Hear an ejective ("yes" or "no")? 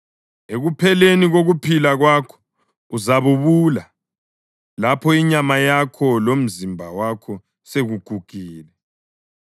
no